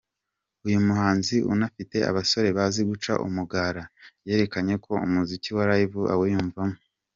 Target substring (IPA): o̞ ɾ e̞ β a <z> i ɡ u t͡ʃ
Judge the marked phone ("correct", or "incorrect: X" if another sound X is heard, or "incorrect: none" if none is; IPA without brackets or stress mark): correct